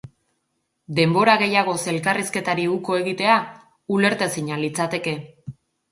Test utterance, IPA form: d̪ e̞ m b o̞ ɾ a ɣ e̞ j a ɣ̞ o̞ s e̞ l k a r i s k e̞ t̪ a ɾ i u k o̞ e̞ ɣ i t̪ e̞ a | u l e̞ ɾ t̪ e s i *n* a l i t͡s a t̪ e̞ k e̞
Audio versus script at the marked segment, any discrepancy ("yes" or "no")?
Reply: yes